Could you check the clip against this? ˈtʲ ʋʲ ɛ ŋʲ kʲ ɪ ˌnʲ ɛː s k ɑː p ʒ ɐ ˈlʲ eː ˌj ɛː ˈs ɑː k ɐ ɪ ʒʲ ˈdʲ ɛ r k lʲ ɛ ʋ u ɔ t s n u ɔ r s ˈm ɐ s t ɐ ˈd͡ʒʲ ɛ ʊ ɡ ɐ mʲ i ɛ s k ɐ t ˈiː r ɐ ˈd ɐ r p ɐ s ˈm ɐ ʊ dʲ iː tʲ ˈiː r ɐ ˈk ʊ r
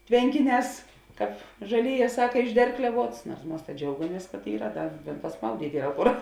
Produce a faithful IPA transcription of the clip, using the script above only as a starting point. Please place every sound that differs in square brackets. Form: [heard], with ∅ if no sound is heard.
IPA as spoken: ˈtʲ ʋʲ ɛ ŋʲ kʲ ɪ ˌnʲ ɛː s k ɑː p ʒ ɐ ˈlʲ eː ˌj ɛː ˈs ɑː k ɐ ɪ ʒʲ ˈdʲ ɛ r k lʲ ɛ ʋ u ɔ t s n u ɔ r s ˈm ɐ s t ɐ ˈd͡ʒʲ ɛ ʊ ɡ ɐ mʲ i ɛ s k ɐ t ˈiː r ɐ ˈd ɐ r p ɐ s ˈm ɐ ʊ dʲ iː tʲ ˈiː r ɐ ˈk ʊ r